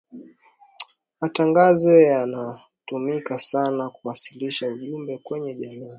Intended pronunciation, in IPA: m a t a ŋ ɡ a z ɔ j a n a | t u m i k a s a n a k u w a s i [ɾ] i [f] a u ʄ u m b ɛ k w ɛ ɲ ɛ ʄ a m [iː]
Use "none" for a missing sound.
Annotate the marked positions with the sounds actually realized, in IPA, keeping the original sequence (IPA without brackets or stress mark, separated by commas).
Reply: l, ʃ, iː